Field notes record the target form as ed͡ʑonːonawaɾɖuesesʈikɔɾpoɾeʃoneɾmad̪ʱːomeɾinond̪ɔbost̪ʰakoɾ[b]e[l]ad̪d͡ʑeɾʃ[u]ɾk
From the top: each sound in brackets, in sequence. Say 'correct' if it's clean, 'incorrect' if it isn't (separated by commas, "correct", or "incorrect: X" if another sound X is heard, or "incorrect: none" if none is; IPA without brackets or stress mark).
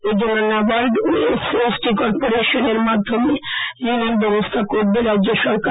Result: correct, incorrect: ɾ, incorrect: ɔ